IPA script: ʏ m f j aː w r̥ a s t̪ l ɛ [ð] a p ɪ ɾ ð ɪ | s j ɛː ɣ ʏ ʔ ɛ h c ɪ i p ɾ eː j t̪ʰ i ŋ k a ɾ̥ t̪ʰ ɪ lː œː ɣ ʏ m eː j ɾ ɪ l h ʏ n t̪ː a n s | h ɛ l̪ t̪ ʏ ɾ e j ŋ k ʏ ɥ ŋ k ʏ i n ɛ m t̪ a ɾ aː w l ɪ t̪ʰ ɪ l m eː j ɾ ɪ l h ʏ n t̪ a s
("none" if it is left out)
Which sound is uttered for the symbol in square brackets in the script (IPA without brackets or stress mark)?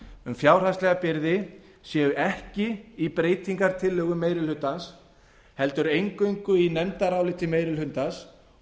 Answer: ɣ